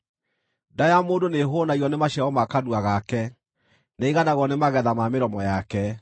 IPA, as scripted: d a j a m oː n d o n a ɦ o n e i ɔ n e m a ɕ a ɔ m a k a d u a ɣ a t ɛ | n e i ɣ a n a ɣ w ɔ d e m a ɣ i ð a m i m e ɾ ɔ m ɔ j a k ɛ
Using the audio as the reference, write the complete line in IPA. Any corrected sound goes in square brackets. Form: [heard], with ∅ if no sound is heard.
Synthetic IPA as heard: d a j a m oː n d o n [e] ɦ o n [a] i ɔ n e m a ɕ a ɔ m a k a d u a ɣ a [k] ɛ | n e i ɣ a n a ɣ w ɔ [n] e m a ɣ [ɛ] ð a m [a] m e ɾ ɔ m ɔ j a k ɛ